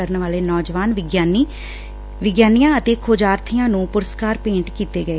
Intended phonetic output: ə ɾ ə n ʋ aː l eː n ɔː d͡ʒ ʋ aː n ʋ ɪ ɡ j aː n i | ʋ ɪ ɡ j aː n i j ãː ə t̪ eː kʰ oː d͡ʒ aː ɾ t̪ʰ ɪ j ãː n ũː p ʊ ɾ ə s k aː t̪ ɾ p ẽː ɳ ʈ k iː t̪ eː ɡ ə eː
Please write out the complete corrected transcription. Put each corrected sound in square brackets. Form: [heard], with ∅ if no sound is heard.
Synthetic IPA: ə ɾ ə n ʋ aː l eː n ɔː d͡ʒ ʋ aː n ʋ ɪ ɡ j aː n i | ʋ ɪ ɡ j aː n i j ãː ə t̪ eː kʰ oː d͡ʒ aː ɾ t̪ʰ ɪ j ãː n ũː p ʊ ɾ ə s k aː [∅] ɾ p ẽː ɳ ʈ k iː t̪ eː ɡ ə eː